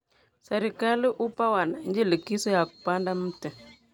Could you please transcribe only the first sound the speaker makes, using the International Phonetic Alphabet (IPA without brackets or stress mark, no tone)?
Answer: s